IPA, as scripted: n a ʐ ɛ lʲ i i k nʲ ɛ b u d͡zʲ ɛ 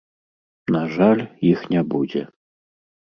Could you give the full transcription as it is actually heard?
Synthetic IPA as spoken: n a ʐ a lʲ j i x nʲ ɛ b u d͡zʲ ɛ